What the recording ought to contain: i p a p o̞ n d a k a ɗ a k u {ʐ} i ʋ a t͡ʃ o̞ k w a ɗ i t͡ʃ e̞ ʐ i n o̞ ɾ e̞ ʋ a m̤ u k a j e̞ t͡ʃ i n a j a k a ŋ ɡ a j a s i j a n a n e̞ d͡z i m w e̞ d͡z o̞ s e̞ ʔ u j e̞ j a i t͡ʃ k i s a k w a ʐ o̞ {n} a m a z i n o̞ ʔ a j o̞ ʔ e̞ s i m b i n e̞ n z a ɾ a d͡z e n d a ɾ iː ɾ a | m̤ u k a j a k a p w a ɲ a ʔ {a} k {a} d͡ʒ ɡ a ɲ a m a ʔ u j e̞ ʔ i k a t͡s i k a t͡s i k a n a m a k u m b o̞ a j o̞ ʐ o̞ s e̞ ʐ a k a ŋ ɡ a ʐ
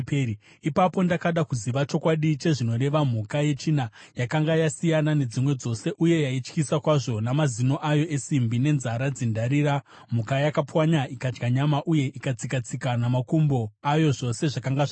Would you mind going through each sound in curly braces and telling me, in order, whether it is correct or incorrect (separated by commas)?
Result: incorrect, correct, incorrect, correct